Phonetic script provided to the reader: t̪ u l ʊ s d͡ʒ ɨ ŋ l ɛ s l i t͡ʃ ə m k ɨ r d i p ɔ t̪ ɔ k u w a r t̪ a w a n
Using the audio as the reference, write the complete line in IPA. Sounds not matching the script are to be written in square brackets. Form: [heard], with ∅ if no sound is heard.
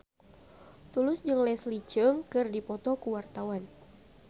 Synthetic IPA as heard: t̪ u l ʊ s d͡ʒ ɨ ŋ l ɛ s l i t͡ʃ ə [ŋ] k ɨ r d i p ɔ t̪ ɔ k u w a r t̪ a w a n